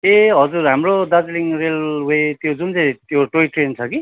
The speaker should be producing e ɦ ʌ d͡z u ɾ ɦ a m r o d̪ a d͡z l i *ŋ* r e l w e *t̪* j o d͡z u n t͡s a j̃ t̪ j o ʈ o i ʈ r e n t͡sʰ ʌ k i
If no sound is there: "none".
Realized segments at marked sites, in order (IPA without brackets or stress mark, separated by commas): ŋ, t̪